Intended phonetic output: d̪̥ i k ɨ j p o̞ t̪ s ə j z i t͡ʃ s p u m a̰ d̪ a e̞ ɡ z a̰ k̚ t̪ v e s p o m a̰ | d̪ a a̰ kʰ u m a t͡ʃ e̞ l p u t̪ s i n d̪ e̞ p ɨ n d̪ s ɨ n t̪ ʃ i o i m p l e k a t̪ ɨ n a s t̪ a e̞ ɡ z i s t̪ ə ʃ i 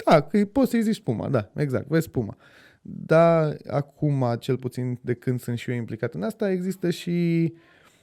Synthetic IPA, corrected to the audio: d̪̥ a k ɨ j p o̞ t̪ s ə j z i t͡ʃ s p u m a̰ d̪ a e̞ ɡ z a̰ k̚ t̪ v e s p u m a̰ | d̪ a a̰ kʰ u m a t͡ʃ e̞ l p u t̪ s i n d̪ e̞ k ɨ n d̪ s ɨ n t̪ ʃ i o i m p l i k a t̪ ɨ n a s t̪ a e̞ ɡ z i s t̪ ə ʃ i